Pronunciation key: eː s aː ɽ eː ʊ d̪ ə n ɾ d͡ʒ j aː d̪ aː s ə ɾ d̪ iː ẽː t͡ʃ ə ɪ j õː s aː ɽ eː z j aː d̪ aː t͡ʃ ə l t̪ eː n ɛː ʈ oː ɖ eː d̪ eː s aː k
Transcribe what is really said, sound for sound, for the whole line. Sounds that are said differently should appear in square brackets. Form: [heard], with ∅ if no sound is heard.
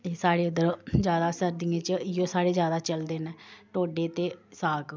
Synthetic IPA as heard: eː s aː ɽ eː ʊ d̪ ə [∅] ɾ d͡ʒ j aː d̪ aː s ə ɾ d̪ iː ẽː t͡ʃ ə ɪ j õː s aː ɽ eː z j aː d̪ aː t͡ʃ ə l [d̪] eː n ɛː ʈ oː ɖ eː [t̪] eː s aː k